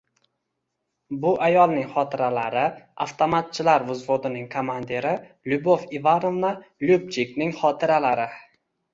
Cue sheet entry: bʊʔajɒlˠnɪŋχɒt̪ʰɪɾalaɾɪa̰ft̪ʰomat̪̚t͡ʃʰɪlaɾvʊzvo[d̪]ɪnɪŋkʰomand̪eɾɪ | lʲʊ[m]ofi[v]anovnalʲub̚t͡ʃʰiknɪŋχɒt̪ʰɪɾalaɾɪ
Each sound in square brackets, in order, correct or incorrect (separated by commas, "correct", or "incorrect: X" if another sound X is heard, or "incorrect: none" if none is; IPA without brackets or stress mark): correct, incorrect: b, correct